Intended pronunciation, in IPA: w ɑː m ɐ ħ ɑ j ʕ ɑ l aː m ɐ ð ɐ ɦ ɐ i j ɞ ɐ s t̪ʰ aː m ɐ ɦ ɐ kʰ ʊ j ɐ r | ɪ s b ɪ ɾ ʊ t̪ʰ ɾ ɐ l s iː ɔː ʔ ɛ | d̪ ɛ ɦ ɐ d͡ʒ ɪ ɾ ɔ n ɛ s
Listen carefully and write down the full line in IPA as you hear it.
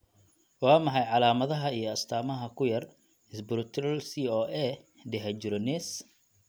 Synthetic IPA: w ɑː m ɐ ħ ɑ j ʕ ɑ l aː m ɐ ð ɐ ɦ ɐ i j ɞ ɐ s t̪ʰ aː m ɐ ɦ ɐ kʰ ʊ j ɐ r | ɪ s b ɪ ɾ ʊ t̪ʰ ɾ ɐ l s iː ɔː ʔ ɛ | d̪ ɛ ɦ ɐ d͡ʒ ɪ ɾ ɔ n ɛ s